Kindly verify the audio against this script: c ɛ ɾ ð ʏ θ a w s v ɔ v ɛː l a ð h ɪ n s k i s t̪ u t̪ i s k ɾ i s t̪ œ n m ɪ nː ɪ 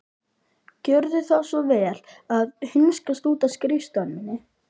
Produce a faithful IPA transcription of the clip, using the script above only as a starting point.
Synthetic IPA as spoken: c œ ɾ ð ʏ θ a w s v ɔ v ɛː l a ð h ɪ n s k a s t̪ uː t̪ a s k ɾ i s t̪ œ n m ɪ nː ɪ